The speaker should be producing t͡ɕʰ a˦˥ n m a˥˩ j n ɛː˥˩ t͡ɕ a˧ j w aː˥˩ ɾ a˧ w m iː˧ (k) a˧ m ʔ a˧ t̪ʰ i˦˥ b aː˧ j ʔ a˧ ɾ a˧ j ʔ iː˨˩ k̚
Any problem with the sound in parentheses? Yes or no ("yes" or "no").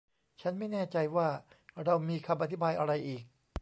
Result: yes